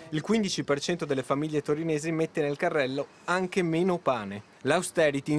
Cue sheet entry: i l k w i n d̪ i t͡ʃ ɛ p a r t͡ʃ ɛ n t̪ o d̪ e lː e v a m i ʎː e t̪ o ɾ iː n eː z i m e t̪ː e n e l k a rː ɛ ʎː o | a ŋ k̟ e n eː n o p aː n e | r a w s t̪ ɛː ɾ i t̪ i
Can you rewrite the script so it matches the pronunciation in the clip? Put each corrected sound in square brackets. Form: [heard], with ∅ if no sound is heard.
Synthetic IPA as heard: i l k w i n d̪ i t͡ʃ [i] p [e] r t͡ʃ ɛ n t̪ o d̪ e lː e [f] a m i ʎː e t̪ o ɾ [i] n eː z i m e t̪ː e n e l k a rː ɛ [lː] o | a ŋ k̟ e [m] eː n o p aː n e | [l] a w s t̪ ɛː ɾ i t̪ i